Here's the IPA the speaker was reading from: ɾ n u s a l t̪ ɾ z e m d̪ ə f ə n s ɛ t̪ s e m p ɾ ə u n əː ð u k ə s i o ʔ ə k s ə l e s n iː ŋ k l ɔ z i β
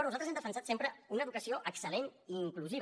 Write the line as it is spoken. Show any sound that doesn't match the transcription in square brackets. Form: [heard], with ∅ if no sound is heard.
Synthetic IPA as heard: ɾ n u [z] a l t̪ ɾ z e m d̪ ə f ə n s [a] t̪ s e m p ɾ ə u n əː ð u k ə s i o ʔ ə k s ə l e [∅] n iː ŋ k l [u] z i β